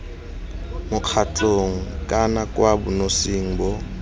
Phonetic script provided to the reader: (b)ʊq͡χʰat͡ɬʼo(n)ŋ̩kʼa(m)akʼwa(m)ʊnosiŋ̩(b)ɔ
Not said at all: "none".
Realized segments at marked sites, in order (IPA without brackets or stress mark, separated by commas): m, none, n, b, b